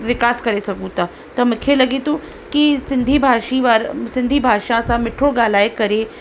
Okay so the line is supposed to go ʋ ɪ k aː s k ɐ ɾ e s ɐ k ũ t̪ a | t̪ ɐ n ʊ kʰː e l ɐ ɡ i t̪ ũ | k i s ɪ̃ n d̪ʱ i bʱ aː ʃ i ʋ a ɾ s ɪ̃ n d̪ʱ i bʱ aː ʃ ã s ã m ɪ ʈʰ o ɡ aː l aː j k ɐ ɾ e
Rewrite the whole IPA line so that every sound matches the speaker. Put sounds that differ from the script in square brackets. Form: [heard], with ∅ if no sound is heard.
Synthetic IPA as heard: ʋ ɪ k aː s k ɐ ɾ e s ɐ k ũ t̪ a | t̪ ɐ [m] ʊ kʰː e l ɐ ɡ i t̪ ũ | k i s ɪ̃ n d̪ʱ i bʱ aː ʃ i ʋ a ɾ s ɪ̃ n d̪ʱ i bʱ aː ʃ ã s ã m ɪ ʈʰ o ɡ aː l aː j k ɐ ɾ e